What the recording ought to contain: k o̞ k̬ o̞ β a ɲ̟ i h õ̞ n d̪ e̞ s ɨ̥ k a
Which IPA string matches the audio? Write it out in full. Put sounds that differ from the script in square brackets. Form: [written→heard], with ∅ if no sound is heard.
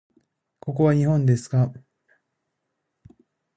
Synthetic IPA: k o̞ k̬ o̞ β a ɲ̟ i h õ̞ n d̪ e̞ s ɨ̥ k a